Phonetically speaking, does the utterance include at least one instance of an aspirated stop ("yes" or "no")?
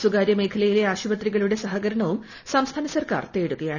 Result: yes